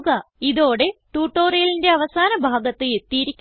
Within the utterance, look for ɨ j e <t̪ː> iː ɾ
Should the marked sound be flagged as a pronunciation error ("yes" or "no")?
no